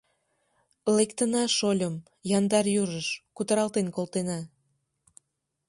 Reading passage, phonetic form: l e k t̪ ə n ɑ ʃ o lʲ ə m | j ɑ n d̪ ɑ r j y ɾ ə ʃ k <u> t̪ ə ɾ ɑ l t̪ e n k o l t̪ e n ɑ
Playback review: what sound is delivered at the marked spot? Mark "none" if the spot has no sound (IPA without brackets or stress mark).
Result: u